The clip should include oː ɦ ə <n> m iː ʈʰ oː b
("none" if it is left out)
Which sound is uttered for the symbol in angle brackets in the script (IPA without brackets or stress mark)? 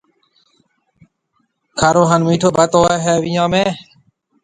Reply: n